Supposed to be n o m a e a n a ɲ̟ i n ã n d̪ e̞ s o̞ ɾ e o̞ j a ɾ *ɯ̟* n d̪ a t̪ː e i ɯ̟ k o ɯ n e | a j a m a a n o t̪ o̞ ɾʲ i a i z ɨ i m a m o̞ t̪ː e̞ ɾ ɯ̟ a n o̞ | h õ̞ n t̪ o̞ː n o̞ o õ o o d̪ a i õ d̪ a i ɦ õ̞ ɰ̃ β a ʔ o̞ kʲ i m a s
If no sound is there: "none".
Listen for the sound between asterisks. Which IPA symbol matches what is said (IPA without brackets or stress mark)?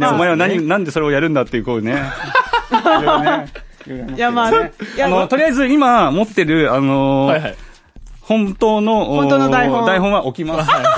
ɯ̟̃